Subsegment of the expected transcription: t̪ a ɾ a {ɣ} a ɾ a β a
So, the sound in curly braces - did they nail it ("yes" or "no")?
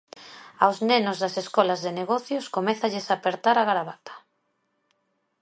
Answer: yes